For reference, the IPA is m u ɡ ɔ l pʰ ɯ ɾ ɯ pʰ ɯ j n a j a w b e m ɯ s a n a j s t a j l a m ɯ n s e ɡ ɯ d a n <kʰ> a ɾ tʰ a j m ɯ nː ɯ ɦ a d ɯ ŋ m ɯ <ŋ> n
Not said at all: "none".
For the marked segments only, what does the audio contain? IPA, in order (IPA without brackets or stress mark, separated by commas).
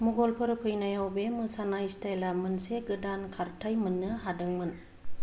kʰ, none